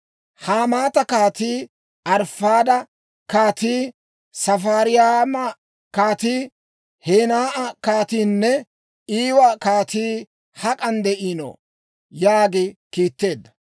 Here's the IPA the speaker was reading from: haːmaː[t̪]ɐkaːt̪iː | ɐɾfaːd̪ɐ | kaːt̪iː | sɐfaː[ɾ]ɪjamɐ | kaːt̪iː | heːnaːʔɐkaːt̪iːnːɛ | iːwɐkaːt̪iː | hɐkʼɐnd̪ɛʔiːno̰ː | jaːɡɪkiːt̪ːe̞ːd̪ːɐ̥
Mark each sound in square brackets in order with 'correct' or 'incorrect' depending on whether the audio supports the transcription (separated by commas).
correct, correct